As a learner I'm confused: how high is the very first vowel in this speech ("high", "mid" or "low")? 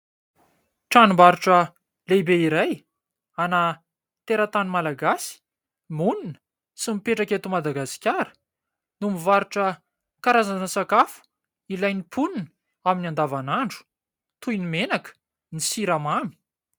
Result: low